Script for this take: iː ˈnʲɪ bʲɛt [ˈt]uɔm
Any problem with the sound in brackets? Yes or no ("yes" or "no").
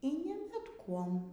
yes